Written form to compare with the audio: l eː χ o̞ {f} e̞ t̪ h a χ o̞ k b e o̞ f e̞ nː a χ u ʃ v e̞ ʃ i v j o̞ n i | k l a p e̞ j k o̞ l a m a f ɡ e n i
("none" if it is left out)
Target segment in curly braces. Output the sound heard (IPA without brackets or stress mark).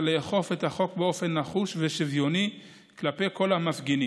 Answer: f